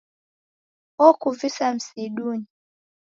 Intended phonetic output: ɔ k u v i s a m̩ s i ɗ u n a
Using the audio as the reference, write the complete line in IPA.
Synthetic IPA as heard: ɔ k u v i s a m̩ s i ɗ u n i